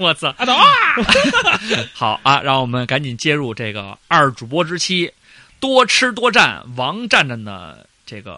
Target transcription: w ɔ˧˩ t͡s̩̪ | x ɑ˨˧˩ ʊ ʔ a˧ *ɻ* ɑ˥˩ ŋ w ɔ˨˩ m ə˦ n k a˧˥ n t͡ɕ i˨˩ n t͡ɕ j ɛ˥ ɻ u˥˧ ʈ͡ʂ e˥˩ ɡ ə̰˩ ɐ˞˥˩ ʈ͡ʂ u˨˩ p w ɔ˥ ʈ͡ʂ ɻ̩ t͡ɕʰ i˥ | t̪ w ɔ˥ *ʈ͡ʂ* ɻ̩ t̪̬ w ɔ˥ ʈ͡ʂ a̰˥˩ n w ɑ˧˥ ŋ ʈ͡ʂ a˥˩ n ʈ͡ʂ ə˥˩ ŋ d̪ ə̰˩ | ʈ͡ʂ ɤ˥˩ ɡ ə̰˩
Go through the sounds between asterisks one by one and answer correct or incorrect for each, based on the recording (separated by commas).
correct, incorrect